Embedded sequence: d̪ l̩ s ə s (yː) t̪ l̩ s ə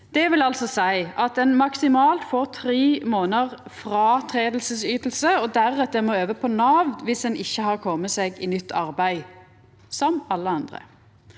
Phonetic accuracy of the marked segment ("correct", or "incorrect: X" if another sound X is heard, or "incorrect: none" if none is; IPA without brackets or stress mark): correct